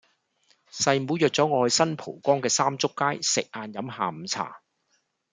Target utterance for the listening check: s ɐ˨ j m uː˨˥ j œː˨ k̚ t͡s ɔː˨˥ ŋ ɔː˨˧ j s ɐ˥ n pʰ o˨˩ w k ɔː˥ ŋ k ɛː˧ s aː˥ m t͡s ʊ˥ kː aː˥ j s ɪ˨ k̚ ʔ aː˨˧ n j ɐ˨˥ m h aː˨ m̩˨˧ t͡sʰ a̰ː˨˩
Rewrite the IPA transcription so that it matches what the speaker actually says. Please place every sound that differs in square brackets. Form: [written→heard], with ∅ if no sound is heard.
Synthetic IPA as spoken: s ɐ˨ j m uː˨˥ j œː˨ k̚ t͡s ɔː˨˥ ŋ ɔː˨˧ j s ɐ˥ n pʰ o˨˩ w k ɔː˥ ŋ k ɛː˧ s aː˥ m t͡s ʊ˥ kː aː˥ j s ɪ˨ k̚ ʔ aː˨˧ n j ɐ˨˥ m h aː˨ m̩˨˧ t͡sʰ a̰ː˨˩